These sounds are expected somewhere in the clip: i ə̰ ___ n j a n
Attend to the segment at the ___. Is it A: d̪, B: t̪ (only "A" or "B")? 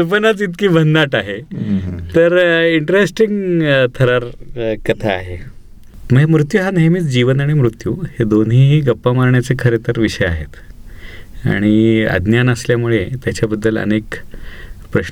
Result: A